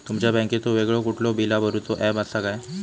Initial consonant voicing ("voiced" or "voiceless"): voiceless